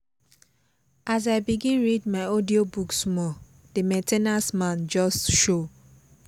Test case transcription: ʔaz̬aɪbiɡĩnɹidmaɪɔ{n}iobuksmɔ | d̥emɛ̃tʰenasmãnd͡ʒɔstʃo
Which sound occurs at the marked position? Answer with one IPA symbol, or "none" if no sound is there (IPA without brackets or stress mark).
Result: d